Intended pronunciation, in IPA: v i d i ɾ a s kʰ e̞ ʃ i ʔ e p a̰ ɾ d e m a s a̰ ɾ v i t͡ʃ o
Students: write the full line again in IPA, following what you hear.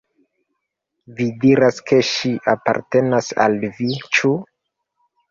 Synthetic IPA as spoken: v i d i ɾ a s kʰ e̞ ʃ i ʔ a p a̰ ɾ t e n a s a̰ l v i t͡ʃ u